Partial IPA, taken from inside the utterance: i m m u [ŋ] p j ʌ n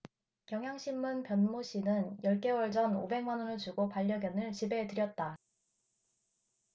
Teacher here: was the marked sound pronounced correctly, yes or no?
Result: no